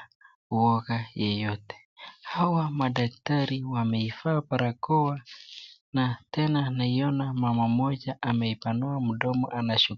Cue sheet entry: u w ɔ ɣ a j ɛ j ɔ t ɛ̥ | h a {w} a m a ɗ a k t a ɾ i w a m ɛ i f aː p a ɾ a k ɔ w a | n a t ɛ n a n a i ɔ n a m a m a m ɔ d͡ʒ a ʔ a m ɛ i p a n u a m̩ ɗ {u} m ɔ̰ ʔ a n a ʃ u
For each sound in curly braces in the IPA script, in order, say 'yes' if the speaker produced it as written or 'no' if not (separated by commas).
yes, no